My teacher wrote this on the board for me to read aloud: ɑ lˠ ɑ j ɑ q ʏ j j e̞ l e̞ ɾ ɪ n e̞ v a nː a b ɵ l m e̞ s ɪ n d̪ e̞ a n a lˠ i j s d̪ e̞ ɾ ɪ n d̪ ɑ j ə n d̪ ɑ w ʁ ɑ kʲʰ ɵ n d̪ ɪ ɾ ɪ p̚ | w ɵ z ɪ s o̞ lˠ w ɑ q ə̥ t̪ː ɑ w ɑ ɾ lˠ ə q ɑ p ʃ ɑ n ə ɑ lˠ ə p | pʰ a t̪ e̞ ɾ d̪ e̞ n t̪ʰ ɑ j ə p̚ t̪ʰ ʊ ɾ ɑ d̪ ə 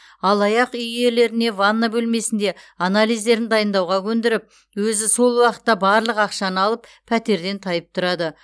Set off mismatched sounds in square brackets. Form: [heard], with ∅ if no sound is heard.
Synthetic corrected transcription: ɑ lˠ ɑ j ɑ q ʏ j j e̞ l e̞ ɾ ɪ n e̞ v a nː a b ɵ l m e̞ s ɪ n d̪ e̞ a n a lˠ i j [z] d̪ e̞ ɾ ɪ n d̪ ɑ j ə n d̪ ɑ w ʁ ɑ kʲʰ ɵ n d̪ ɪ ɾ ɪ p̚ | w ɵ z ɪ s o̞ lˠ w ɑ q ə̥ t̪ː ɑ [b] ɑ ɾ lˠ ə q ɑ [q] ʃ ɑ n ə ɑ lˠ ə p | pʰ [æ] t̪ e̞ ɾ d̪ e̞ n t̪ʰ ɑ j ə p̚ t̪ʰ ʊ ɾ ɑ d̪ ə